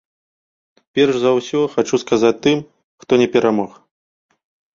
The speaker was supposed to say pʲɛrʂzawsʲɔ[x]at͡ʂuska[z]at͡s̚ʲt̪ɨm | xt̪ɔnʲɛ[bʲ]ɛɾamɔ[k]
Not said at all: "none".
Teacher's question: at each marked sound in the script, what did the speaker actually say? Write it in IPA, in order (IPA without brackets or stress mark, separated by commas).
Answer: x, z, pʲ, x